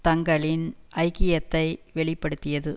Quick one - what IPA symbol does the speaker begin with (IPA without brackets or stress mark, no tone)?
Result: t̪